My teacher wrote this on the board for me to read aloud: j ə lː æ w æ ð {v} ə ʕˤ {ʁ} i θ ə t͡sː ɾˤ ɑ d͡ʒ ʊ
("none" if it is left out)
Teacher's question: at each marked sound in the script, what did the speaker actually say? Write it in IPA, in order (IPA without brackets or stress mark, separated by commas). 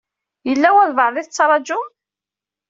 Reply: v, ð